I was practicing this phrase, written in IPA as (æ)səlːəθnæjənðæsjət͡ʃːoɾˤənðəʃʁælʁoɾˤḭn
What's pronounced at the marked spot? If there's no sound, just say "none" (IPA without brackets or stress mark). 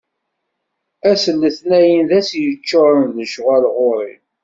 æ